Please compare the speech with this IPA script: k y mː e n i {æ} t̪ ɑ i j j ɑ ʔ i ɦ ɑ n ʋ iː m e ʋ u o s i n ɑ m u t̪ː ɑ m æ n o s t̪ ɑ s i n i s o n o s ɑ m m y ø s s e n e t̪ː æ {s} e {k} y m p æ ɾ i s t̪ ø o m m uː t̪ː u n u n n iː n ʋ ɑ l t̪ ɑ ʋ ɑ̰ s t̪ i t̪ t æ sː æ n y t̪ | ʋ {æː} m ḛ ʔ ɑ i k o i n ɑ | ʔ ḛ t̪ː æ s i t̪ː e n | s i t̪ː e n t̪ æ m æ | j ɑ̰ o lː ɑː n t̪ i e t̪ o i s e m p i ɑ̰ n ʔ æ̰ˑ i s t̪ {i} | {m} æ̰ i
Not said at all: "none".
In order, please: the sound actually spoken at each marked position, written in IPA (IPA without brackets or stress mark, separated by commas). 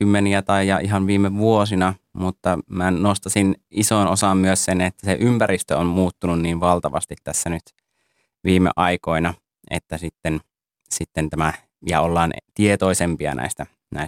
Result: æ, s, ʔ, iː, æ, n